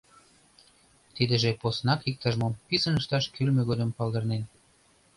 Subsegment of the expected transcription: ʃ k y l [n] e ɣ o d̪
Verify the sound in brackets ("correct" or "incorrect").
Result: incorrect